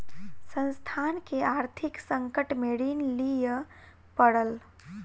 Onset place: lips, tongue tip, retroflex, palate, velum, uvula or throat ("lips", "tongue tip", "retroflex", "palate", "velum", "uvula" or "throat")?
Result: tongue tip